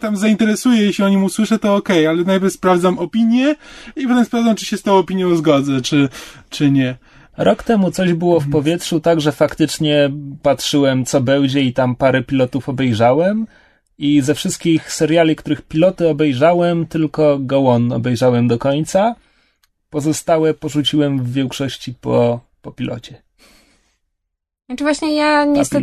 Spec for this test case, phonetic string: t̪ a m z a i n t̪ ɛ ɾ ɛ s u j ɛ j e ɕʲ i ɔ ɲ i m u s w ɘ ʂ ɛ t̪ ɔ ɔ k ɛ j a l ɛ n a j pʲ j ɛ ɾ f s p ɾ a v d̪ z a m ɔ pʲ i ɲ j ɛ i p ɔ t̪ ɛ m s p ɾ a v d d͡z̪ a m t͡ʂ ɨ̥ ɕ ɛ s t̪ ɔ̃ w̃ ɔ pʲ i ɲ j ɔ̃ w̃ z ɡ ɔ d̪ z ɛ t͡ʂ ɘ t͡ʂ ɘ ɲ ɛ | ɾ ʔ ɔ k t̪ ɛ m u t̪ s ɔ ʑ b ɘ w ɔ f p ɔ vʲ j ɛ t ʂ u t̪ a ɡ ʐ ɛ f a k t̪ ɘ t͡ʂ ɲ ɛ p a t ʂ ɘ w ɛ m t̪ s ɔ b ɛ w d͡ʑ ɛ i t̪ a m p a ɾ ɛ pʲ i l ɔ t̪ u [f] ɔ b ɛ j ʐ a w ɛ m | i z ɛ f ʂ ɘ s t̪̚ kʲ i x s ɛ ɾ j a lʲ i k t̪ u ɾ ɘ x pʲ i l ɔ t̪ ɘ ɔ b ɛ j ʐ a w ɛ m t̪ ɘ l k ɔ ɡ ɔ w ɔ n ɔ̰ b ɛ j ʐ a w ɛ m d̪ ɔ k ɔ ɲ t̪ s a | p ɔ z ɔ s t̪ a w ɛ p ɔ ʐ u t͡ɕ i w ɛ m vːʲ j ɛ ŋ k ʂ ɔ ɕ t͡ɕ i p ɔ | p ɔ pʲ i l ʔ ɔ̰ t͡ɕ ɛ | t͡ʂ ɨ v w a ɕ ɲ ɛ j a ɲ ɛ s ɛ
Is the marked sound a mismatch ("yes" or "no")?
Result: no